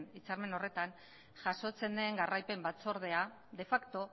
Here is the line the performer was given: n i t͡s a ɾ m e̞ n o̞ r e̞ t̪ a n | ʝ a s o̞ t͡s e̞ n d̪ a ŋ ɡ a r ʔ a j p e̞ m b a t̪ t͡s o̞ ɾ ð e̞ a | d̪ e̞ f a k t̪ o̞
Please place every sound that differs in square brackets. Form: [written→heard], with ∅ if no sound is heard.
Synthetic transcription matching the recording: n i t͡s a ɾ m e̞ n o̞ r e̞ t̪ a n | ʝ a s o̞ t͡s e̞ n d̪ [a→e] ŋ ɡ a r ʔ a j p e̞ m b a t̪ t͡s o̞ ɾ ð e̞ a | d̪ e̞ f a k t̪ o̞